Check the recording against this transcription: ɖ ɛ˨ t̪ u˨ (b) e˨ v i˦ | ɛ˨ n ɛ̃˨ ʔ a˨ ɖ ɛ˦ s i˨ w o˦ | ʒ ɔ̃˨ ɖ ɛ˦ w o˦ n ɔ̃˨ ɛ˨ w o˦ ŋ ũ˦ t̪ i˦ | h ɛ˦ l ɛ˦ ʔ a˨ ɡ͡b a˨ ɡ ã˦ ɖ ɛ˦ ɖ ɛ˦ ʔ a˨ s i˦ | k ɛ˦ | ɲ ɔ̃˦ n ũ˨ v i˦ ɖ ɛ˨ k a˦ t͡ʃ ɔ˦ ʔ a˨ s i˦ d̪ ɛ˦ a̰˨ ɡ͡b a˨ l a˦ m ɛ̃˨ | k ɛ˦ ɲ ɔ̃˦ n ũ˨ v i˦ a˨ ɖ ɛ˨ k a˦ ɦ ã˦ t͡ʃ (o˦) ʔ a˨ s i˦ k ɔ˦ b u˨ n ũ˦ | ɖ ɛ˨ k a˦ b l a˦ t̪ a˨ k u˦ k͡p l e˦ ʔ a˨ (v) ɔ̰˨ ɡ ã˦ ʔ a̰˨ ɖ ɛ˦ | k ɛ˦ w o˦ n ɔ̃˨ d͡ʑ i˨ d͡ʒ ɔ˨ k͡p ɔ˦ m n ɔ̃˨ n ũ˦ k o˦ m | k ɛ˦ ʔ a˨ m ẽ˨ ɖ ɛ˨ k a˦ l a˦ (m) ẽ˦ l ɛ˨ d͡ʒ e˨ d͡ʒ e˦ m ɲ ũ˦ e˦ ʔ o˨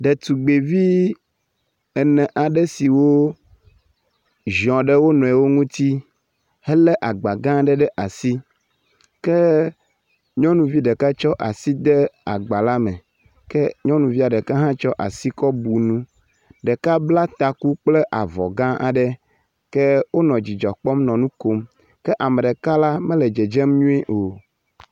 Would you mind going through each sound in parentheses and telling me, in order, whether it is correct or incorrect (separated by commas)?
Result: incorrect, incorrect, correct, correct